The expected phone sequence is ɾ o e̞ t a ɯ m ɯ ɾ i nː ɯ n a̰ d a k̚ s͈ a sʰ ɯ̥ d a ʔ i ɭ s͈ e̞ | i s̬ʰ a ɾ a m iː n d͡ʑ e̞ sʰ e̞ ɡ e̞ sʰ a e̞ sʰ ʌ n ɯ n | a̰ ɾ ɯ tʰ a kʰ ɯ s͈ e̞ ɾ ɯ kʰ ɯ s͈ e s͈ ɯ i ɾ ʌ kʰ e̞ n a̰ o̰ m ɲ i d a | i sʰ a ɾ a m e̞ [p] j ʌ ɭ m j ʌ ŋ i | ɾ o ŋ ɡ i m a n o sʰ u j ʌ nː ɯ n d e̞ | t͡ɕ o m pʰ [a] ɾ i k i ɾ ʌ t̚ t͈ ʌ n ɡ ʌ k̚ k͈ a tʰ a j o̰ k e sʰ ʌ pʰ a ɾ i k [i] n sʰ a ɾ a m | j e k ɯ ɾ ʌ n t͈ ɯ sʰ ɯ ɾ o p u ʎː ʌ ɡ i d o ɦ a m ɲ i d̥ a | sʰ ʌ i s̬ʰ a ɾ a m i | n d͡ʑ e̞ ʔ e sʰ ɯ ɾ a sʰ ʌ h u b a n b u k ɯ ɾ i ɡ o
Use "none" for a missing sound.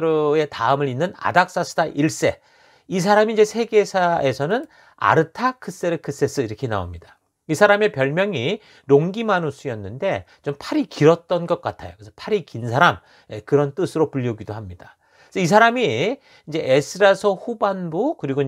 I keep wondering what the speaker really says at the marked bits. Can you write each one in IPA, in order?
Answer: p, a, i

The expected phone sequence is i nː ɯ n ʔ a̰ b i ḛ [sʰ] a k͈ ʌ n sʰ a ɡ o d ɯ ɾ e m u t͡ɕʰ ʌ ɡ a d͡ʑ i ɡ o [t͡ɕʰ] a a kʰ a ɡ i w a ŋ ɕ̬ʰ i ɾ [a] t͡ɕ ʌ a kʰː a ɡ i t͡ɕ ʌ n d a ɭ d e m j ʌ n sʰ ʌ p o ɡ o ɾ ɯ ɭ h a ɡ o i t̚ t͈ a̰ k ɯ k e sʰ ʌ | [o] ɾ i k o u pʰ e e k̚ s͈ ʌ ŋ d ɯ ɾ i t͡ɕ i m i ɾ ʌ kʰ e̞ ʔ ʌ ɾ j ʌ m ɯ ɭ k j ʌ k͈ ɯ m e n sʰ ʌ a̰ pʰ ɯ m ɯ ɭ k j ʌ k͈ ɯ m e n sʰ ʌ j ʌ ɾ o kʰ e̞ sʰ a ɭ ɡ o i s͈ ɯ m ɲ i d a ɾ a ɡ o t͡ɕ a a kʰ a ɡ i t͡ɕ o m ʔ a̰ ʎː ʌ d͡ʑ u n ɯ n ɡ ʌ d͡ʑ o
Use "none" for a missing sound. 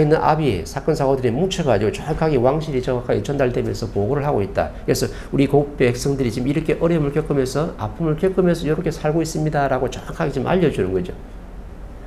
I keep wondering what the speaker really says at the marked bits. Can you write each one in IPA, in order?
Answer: sʰ, t͡ɕ, i, u

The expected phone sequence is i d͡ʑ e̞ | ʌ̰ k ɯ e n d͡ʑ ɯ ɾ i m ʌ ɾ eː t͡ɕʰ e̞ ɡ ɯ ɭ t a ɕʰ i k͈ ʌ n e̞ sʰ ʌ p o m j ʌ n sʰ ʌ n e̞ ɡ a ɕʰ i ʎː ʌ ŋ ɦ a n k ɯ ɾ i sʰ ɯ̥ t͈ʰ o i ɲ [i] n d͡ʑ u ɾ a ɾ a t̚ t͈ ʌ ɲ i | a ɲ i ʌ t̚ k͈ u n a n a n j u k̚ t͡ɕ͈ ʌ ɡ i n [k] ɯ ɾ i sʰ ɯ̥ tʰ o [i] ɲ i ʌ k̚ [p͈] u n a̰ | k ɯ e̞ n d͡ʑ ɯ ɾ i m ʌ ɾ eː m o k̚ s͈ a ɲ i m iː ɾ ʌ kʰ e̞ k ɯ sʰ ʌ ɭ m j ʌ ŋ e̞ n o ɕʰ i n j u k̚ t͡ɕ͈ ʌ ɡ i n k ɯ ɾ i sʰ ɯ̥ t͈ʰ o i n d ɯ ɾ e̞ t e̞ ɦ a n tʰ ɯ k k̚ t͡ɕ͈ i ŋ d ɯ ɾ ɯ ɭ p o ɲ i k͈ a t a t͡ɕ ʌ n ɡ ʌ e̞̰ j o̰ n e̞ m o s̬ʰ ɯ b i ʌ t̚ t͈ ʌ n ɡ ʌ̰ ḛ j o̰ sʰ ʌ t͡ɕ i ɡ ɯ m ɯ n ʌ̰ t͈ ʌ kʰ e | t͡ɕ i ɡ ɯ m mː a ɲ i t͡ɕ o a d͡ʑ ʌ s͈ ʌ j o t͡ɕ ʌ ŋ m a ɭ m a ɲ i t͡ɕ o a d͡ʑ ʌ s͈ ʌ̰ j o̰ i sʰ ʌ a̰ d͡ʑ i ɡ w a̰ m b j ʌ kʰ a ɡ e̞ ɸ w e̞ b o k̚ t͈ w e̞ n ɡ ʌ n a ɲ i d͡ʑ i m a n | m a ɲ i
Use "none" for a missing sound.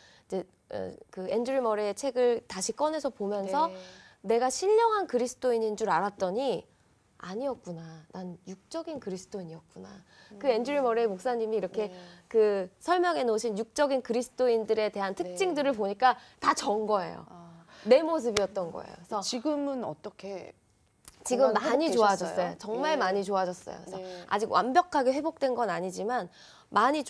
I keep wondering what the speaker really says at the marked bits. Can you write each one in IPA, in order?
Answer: i, k, i, k͈

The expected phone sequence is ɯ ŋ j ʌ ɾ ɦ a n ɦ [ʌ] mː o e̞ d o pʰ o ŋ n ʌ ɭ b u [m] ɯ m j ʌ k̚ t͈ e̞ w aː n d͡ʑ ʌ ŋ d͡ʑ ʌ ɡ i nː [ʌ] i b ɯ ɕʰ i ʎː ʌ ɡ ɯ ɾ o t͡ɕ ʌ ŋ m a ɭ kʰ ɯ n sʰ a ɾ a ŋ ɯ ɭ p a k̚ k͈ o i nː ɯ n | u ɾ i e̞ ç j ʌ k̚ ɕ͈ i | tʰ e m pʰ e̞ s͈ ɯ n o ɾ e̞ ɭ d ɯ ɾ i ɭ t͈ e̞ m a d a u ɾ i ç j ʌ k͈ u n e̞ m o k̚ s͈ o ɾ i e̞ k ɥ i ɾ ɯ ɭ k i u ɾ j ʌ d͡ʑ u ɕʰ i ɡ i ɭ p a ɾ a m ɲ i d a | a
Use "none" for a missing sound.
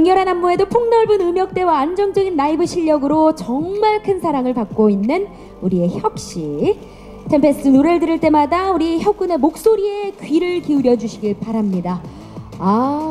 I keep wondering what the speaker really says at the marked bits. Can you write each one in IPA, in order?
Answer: a, n, a

